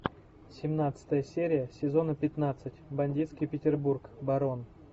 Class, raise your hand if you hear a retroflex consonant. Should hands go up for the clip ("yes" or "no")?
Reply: no